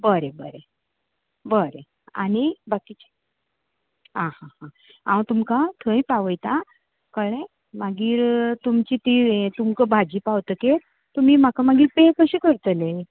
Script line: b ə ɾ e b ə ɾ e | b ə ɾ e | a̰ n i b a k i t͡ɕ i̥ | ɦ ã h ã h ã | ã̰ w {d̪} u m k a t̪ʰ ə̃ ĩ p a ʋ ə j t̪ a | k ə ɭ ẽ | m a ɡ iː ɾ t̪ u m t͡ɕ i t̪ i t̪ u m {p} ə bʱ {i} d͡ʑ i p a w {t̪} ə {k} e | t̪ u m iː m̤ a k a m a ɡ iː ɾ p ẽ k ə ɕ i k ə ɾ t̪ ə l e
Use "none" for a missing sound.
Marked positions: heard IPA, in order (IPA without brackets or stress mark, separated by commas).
t̪, k, a, t̪, k